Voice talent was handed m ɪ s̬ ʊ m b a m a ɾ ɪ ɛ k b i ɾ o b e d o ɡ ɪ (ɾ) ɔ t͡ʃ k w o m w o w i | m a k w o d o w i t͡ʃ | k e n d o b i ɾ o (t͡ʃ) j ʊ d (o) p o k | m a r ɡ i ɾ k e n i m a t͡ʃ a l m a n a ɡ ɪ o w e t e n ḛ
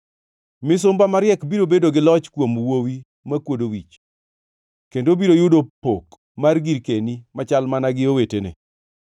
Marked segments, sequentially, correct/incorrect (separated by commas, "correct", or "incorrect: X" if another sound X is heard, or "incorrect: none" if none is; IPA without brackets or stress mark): incorrect: l, incorrect: none, correct